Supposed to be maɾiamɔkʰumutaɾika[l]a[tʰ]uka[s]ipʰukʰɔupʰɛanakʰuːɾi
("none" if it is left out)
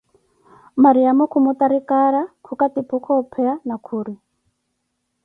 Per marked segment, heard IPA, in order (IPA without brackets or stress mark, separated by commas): ɾ, kʰ, t